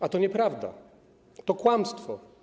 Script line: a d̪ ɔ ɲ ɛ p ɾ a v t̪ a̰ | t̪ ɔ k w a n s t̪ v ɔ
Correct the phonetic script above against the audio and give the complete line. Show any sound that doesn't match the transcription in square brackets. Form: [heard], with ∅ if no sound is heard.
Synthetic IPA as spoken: a [t̪] ɔ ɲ ɛ p ɾ a v [d̪] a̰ | t̪ ɔ k w a [m] s t̪ [f] ɔ